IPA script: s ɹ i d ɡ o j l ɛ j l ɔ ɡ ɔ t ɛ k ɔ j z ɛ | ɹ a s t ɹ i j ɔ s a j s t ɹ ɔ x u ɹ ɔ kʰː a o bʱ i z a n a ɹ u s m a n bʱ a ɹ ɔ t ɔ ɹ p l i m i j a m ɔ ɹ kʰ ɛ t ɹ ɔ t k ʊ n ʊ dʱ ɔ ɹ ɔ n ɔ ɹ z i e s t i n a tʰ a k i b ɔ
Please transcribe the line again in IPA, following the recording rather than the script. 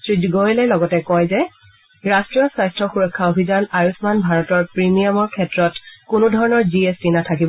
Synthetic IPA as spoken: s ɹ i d ɡ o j l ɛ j l ɔ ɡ ɔ t ɛ k ɔ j z ɛ | ɹ a s t ɹ i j ɔ s a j s t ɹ ɔ x u ɹ ɔ kʰː a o bʱ i z a n a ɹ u s m a n bʱ a ɹ ɔ t ɔ ɹ p ɹ i m i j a m ɔ ɹ kʰ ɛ t ɹ ɔ t k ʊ n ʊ dʱ ɔ ɹ ɔ n ɔ ɹ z i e s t i n a tʰ a k i b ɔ